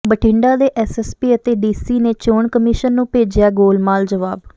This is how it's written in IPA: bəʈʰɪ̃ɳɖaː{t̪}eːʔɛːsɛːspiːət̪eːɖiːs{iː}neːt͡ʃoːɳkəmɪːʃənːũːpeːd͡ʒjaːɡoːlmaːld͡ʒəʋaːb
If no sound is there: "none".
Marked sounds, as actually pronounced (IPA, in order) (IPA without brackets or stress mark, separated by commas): d̪, iː